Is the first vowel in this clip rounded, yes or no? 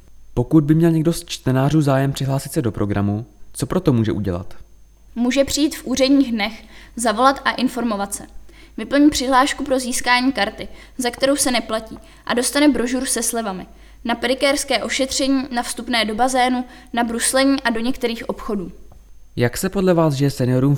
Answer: yes